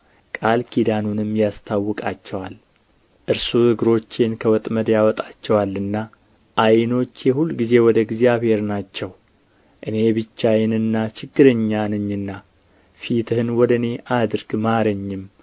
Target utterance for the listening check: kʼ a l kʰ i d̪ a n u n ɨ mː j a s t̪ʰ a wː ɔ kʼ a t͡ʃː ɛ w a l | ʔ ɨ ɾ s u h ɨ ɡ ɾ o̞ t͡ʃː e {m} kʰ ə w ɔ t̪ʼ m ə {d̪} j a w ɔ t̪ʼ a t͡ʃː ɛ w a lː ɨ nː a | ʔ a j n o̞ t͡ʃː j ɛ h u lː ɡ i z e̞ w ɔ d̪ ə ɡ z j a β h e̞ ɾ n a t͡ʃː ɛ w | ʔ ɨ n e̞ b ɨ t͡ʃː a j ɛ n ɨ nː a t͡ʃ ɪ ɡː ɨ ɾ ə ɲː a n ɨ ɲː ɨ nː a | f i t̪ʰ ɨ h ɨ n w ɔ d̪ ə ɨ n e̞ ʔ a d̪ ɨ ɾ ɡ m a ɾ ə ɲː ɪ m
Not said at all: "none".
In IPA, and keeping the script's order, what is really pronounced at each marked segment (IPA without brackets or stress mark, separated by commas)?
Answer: n, d̪